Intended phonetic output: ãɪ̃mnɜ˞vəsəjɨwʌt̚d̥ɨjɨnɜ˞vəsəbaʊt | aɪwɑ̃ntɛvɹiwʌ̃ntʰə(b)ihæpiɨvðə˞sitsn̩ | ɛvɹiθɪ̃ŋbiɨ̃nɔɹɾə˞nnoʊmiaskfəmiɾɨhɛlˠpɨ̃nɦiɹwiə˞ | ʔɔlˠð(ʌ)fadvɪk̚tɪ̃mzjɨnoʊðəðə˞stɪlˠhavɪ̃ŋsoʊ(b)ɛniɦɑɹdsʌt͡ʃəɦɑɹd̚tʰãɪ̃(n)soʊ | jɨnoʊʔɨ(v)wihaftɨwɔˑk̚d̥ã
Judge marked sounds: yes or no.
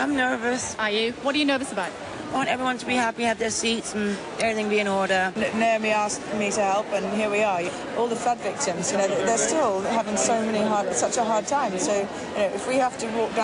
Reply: yes, no, no, no, no

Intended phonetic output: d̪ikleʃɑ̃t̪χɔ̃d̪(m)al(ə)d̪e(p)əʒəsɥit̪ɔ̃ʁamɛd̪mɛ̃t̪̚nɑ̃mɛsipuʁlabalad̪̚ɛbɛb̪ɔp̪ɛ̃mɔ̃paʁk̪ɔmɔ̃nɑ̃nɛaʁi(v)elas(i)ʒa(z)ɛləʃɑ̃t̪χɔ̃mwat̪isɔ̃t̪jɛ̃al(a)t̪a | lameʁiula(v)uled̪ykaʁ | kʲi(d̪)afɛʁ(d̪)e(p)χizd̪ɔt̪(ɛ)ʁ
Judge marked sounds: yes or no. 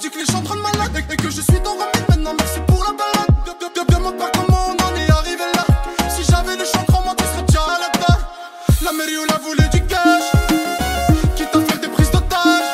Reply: yes, no, no, yes, yes, no, yes, yes, no, yes, yes, no

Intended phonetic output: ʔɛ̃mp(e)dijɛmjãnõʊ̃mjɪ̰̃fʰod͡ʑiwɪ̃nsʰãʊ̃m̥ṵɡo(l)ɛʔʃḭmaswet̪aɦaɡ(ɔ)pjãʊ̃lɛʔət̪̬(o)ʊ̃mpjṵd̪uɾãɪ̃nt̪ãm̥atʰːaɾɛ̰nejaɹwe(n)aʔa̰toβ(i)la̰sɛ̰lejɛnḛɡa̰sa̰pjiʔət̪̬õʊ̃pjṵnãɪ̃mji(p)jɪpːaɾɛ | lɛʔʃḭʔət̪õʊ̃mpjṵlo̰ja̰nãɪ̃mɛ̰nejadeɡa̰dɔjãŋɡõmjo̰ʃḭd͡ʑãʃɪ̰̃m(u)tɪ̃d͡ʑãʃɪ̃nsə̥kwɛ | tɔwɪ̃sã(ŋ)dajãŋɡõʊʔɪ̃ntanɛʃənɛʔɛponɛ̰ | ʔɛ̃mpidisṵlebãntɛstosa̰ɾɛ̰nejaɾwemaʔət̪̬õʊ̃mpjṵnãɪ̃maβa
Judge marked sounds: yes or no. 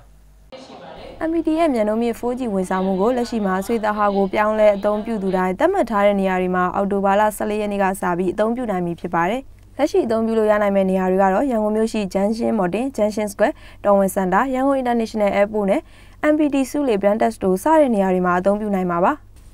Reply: no, yes, no, no, no, no, no, no, no

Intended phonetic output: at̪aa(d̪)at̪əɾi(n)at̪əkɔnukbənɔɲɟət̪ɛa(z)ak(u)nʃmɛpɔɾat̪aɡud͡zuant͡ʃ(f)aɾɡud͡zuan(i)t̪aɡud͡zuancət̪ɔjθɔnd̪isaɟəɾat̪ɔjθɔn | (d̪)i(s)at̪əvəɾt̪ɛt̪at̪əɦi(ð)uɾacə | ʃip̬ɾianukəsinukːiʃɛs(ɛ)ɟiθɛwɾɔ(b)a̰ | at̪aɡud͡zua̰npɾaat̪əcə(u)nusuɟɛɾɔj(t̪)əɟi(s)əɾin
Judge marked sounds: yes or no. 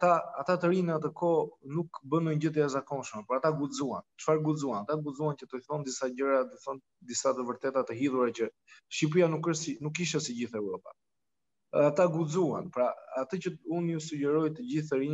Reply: no, yes, yes, no, yes, no, yes, yes, yes, no, no, yes, yes, no

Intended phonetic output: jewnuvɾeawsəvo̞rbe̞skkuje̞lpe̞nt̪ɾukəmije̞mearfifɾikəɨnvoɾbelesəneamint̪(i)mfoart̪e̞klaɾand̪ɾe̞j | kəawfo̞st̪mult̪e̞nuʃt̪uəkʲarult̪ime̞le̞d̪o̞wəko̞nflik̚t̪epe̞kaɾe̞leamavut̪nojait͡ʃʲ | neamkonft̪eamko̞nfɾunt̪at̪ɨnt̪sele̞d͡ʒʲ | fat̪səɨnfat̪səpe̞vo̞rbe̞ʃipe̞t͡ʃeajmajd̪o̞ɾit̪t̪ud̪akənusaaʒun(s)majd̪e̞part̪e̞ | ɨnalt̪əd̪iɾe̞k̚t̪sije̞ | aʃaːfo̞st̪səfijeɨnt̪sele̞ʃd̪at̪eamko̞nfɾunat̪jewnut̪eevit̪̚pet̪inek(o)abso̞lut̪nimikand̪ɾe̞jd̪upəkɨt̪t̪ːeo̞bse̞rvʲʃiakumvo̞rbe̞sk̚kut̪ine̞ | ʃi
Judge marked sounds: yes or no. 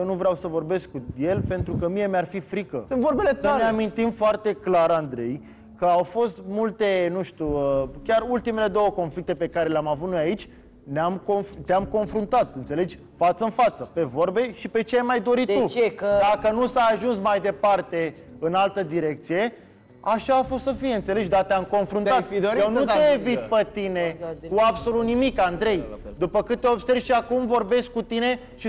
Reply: yes, yes, no

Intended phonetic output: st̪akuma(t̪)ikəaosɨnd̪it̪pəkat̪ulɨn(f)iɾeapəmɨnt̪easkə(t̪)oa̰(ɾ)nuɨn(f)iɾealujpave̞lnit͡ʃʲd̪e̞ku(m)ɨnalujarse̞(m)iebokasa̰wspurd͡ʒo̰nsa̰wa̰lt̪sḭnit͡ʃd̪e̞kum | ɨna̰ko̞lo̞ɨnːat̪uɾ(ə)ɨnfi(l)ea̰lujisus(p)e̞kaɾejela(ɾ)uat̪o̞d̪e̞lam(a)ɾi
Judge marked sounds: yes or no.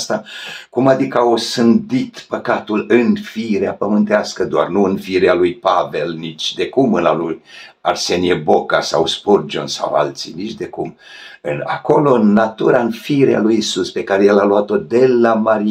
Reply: no, yes, no, no, yes, yes, no, no, no, yes, no, yes

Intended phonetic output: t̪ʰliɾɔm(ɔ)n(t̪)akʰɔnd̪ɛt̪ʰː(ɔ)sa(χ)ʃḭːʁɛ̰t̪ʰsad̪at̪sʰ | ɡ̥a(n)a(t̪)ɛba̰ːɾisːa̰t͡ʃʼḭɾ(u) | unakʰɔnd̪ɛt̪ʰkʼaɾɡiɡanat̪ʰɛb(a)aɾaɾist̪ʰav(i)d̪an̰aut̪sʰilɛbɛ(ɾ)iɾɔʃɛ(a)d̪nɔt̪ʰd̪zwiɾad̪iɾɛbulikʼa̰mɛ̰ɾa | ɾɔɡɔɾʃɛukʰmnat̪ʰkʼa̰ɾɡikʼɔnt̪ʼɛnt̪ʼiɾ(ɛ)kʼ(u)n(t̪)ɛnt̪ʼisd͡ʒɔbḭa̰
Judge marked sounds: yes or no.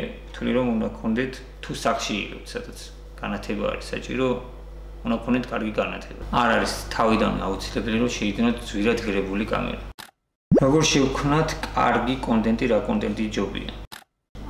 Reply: no, no, no, yes, yes, no, no, yes, yes, no, no, no, no, no

